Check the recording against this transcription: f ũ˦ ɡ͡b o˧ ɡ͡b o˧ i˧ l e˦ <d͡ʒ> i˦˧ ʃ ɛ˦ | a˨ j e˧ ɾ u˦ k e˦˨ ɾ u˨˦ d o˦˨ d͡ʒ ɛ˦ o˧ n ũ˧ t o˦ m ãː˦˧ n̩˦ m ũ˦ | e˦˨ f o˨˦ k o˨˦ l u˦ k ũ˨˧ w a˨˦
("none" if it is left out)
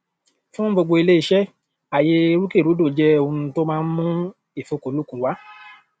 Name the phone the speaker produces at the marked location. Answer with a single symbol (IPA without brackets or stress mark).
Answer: none